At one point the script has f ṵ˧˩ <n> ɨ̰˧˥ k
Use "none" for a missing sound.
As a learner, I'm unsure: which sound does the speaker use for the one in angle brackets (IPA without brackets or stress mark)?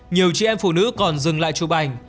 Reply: n